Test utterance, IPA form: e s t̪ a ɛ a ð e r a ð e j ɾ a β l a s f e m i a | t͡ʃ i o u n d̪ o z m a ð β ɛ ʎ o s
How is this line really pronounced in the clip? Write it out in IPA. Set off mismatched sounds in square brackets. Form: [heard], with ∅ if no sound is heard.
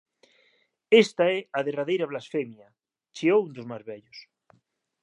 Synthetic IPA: e s t̪ a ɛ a ð e r a ð e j ɾ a β l a s f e m [j] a | t͡ʃ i o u n d̪ o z m a [z] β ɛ ʎ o s

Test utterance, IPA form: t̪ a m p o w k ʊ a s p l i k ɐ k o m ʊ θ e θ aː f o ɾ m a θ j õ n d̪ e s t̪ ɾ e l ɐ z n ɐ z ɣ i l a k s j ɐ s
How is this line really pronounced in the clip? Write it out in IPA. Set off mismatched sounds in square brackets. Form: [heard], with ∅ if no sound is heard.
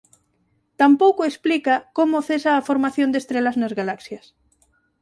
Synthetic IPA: t̪ a m p o w k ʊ [e] s p l i k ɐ k o m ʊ θ e [s] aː f o ɾ m a θ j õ n d̪ e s t̪ ɾ e l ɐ z n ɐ z ɣ [a] l a k s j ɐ s

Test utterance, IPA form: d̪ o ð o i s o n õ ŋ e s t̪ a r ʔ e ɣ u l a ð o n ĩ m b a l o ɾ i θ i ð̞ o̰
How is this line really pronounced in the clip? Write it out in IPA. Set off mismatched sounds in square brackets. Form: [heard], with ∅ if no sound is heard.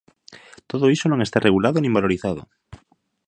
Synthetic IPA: [t̪] o ð o i s o n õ ŋ e s t̪ a r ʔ e ɣ u l a ð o n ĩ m b a l o ɾ i θ [a] ð̞ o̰

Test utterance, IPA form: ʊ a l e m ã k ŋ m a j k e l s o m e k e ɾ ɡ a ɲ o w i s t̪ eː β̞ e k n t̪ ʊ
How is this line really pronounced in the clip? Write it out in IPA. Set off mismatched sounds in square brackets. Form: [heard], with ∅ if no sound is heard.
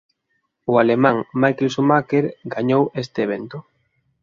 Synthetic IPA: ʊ a l e m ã [∅] ŋ m a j k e l s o m [a] k e ɾ ɡ a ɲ o w [e] s t̪ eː β̞ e [∅] n t̪ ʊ

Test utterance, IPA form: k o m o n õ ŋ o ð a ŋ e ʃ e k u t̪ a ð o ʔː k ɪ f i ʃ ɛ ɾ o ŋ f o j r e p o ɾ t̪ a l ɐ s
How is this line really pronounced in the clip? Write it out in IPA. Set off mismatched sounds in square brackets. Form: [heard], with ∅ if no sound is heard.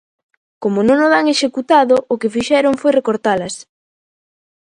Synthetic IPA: k o m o n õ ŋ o ð a ŋ e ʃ e k u t̪ a ð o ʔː k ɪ f i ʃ ɛ ɾ o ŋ f o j r e [k] o ɾ t̪ a l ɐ s

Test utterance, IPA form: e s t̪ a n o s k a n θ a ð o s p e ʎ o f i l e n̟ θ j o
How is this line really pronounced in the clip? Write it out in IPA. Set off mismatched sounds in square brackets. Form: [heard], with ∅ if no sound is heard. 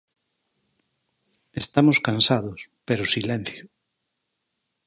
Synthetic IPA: e s t̪ a [m] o s k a n [s] a ð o s p e [ɾ] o [s] i l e n̟ θ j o

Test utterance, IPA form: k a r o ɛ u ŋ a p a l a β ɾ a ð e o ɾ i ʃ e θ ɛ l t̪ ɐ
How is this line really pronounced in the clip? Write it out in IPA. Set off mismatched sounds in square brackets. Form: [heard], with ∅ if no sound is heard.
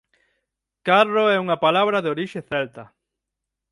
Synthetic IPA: k a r o ɛ u ŋ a p a l a β ɾ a ð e o ɾ i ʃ e θ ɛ l t̪ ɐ

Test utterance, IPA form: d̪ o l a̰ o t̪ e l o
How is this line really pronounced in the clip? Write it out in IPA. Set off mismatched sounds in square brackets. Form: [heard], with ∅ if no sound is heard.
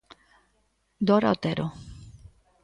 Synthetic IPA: d̪ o [ɾ] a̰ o t̪ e [ɾ] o

